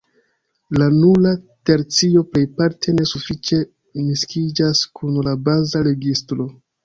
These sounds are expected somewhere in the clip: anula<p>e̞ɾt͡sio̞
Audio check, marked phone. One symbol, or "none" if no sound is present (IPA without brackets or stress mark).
t